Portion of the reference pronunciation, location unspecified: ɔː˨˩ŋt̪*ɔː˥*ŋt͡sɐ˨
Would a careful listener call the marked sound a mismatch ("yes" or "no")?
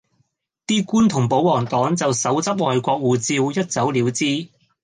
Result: yes